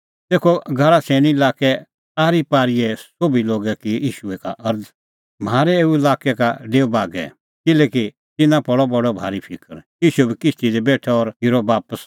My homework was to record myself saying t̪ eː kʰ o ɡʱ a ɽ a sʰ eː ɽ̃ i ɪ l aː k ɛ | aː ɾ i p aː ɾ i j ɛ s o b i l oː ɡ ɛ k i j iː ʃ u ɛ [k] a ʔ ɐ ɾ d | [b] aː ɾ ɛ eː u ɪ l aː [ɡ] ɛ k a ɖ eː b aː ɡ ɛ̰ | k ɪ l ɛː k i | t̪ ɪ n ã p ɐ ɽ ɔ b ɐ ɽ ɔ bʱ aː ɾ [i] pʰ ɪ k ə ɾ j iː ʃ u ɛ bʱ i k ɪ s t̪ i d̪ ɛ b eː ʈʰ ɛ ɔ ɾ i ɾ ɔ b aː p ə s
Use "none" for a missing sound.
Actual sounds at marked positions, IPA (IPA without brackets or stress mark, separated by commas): k, m, k, i